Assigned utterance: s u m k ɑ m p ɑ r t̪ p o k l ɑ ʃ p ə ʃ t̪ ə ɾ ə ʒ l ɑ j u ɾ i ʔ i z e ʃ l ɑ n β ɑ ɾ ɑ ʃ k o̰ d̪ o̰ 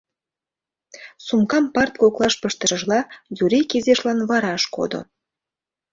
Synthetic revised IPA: s u m k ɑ m p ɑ r t̪ k o k l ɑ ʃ p ə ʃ t̪ ə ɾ ə ʒ l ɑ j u ɾ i k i z e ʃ l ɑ n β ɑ ɾ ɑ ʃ k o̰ d̪ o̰